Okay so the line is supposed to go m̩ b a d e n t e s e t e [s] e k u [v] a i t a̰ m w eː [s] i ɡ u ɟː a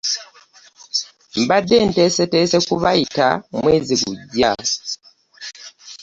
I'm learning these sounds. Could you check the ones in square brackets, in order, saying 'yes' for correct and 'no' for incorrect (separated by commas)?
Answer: yes, no, no